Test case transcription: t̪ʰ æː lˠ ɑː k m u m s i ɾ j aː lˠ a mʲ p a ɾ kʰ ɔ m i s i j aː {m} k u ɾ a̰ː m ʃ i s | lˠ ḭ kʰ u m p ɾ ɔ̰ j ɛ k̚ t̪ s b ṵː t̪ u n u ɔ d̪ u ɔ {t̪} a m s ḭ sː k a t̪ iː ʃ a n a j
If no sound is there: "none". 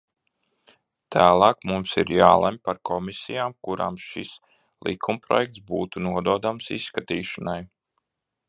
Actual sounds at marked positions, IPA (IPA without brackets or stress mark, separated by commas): m, d̪